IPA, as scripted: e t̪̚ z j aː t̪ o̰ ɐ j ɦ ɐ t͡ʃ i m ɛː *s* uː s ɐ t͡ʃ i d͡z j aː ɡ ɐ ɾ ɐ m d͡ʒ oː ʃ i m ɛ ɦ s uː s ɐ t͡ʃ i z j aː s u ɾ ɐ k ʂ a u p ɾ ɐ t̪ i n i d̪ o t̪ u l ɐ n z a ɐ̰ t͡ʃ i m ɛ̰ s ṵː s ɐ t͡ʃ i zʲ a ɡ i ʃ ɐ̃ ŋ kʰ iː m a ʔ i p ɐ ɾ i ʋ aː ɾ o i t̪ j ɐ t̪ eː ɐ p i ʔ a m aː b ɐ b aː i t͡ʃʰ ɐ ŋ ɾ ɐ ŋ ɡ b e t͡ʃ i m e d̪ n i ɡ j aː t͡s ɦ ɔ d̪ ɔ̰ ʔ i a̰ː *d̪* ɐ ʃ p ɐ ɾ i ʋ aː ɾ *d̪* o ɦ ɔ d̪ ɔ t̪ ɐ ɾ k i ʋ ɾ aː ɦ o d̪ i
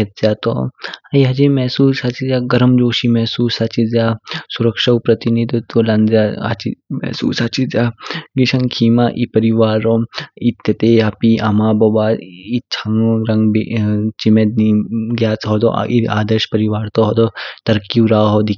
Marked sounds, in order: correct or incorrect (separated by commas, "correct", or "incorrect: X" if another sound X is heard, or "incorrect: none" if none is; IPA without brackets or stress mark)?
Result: correct, correct, incorrect: t̪